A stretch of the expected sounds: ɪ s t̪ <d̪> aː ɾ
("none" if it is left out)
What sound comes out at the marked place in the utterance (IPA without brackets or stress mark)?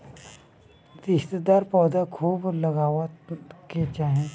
d̪